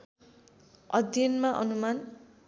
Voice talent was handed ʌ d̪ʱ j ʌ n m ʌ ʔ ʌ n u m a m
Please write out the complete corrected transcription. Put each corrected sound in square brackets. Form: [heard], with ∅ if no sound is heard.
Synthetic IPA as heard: ʌ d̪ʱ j ʌ n m [a] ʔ ʌ n u m a [n]